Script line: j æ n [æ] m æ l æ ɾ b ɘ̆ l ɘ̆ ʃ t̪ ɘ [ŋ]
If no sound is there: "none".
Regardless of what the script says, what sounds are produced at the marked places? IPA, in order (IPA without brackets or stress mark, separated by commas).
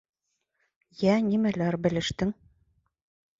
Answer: i, ŋ